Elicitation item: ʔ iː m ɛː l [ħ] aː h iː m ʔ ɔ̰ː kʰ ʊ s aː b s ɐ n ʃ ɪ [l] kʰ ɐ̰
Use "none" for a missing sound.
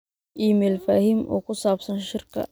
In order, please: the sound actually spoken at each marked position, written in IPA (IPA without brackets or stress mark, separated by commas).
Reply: f, r